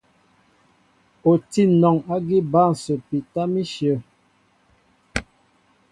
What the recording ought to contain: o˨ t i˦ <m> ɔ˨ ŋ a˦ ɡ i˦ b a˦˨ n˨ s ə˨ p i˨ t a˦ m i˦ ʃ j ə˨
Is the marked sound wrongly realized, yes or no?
yes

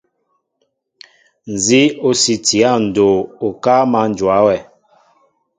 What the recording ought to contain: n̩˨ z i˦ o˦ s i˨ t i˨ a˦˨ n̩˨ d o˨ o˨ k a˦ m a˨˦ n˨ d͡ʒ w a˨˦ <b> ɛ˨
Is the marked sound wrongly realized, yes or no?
yes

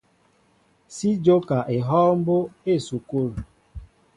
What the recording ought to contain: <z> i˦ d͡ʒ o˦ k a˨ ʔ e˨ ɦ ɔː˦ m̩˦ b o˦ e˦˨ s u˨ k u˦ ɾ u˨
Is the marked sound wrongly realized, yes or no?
yes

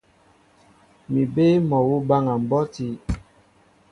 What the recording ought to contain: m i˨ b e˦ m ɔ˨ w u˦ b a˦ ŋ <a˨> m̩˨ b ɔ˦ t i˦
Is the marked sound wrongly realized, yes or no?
no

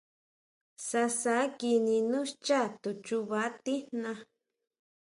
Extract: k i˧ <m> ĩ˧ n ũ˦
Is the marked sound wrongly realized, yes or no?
yes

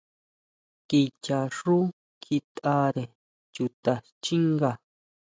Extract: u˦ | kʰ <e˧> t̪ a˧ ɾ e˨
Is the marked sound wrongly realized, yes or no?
yes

